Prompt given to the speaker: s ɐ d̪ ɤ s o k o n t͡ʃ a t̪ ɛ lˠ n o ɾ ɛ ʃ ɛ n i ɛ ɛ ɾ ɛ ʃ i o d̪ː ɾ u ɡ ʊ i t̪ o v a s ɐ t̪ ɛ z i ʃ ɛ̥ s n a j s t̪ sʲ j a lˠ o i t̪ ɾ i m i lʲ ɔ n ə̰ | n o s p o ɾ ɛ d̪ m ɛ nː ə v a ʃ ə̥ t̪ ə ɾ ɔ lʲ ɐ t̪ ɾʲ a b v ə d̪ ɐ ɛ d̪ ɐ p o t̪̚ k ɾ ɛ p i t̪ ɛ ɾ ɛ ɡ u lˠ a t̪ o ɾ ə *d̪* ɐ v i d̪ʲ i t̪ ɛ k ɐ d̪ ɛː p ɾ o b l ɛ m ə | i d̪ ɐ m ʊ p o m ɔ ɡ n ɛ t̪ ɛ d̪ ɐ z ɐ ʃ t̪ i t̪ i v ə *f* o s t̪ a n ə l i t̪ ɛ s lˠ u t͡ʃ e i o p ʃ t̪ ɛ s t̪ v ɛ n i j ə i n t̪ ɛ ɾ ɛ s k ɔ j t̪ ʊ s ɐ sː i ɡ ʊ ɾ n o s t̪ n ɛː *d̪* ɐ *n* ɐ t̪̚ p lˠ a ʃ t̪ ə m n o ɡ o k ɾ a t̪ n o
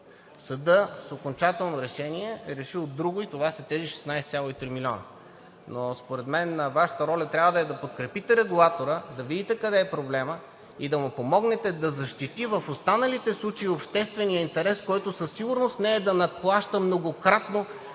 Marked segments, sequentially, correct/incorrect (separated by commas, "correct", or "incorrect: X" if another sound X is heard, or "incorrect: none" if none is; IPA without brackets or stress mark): correct, correct, correct, correct